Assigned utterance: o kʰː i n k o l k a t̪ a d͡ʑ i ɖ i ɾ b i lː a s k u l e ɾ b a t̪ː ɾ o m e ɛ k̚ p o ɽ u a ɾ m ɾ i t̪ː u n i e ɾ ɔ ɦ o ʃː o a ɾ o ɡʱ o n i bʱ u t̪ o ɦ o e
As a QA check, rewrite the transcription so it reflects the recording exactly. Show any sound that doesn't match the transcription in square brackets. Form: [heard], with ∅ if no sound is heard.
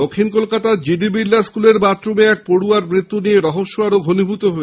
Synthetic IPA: o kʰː i n k o l k a t̪ a d͡ʑ i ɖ i [∅] b i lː a s k u l e ɾ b a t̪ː ɾ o m e ɛ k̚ p o ɽ u a ɾ m ɾ i t̪ː u n i e ɾ ɔ ɦ o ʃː o a ɾ o ɡʱ o n i bʱ u t̪ o ɦ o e